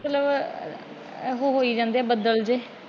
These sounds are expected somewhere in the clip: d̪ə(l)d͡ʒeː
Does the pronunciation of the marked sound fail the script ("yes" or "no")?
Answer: no